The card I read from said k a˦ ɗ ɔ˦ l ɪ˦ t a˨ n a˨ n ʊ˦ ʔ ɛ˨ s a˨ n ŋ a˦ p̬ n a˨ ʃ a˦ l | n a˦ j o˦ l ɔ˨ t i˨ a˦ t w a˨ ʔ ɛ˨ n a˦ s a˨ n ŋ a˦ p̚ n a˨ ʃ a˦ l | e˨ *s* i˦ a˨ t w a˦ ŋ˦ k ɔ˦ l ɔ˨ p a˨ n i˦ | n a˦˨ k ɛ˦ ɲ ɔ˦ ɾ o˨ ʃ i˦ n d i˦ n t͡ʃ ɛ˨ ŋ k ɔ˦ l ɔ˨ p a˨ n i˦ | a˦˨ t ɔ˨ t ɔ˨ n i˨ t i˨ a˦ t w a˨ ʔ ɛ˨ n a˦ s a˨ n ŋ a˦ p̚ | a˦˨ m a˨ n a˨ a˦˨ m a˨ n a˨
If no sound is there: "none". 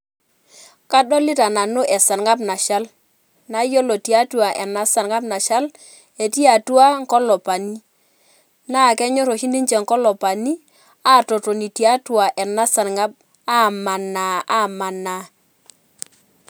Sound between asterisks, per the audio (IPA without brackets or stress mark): t